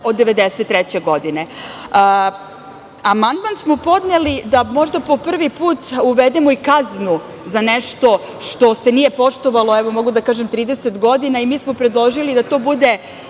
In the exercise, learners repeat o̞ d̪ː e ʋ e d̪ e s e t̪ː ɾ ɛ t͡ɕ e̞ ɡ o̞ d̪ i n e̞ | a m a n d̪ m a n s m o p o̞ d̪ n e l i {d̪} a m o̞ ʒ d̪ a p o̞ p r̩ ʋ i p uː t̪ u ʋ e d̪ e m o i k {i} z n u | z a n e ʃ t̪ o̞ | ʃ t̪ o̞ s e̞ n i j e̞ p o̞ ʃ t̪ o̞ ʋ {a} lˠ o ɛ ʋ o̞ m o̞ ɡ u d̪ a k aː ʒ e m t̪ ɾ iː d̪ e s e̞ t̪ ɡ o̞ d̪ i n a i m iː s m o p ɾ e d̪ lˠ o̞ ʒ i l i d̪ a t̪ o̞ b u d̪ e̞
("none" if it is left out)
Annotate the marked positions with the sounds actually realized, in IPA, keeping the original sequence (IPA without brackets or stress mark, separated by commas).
d̪, a, a